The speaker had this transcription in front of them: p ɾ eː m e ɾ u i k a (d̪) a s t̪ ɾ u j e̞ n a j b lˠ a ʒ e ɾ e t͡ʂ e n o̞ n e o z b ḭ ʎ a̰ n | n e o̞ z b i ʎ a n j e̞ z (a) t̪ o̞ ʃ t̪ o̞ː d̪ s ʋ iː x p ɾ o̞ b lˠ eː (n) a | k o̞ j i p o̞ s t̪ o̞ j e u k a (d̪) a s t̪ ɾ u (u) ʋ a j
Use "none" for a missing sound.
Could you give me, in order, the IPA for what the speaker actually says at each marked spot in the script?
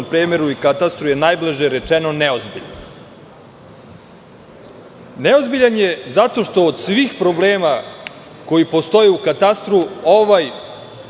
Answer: t̪, a, m, t̪, o

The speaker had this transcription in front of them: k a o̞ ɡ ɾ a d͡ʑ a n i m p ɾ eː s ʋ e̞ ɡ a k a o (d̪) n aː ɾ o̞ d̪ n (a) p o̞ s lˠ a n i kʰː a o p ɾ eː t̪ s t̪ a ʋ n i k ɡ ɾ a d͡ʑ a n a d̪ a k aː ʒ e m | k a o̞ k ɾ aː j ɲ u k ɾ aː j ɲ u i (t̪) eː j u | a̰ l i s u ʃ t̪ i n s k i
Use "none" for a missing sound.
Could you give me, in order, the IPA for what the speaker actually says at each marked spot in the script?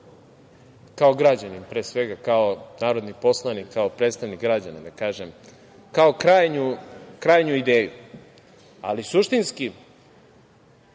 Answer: none, i, d̪

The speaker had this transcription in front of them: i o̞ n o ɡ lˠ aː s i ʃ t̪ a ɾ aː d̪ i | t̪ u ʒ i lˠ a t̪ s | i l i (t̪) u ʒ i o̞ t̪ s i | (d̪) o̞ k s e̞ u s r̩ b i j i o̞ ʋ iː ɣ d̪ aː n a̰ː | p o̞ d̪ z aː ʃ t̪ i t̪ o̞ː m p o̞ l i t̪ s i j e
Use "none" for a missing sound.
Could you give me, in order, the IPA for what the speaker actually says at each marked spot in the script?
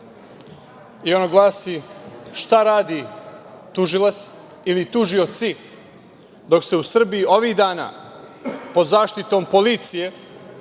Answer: t̪, d̪

